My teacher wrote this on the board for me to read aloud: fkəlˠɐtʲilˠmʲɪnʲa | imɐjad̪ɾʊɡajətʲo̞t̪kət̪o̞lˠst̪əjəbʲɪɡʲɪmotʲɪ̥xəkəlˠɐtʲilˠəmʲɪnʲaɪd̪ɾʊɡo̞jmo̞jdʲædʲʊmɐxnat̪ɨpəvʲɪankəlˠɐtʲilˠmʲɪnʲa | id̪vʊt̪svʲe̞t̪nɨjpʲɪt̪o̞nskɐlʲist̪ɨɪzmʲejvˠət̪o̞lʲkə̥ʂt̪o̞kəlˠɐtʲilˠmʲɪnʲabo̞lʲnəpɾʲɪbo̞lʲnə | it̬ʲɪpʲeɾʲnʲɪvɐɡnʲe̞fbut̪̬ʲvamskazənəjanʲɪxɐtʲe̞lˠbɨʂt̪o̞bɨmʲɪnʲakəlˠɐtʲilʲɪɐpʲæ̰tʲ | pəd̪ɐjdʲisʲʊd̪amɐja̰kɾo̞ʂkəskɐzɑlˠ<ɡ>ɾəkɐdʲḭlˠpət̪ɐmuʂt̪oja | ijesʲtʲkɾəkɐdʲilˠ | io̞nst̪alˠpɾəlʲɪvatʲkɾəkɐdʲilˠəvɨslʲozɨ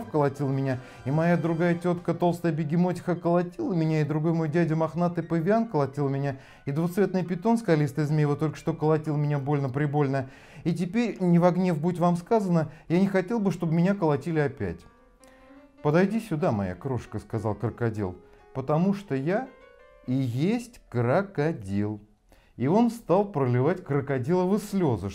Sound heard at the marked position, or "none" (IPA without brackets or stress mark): k